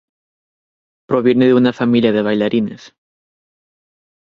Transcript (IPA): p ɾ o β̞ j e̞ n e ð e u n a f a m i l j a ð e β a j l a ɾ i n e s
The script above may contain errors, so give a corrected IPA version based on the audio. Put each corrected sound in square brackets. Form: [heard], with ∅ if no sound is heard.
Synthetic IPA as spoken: p ɾ o β̞ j e̞ n e ð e u n a f a m i l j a ð e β a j l a ɾ i n e s